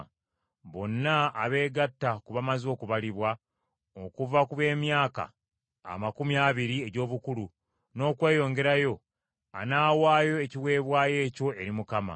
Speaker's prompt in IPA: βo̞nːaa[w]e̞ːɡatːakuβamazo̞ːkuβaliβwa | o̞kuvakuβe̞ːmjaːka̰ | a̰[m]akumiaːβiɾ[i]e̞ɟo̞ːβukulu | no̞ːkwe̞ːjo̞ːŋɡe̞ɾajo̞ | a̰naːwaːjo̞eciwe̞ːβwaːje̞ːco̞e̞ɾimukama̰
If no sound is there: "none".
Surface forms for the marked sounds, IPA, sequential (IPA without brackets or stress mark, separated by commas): β, m, i